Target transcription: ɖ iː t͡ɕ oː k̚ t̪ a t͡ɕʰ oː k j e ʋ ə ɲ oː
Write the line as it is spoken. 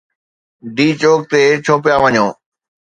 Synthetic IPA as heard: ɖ iː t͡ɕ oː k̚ t̪ e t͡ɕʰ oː p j a ʋ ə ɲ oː